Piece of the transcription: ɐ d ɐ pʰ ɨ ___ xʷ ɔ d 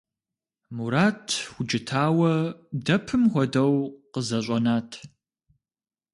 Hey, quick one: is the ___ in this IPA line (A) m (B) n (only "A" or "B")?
A